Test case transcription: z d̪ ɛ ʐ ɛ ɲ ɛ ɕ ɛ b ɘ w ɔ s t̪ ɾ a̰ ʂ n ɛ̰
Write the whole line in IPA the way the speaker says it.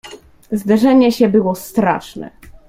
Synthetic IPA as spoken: z d̪ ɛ ʐ ɛ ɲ ɛ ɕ ɛ b ɘ w ɔ s t̪ ɾ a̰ ʂ n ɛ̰